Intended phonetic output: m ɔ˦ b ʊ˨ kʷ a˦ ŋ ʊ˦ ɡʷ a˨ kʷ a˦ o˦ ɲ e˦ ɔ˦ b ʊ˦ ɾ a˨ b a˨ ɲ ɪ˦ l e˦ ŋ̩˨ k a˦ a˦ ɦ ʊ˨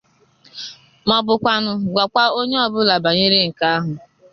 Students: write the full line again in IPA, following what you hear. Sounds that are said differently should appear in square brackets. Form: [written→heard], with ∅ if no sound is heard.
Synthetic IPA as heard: m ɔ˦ b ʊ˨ kʷ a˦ [ŋ→n] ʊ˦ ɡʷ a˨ kʷ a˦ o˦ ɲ e˦ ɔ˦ b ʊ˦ [ɾ→l] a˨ b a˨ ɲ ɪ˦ [l→ɾ] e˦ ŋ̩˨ k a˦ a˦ ɦ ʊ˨